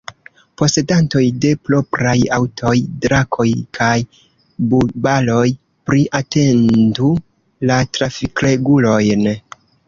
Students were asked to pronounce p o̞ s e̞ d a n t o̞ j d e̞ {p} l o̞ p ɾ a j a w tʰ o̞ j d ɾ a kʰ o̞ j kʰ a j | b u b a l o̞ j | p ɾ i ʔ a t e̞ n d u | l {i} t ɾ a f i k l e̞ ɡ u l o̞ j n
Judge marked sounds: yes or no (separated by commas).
yes, no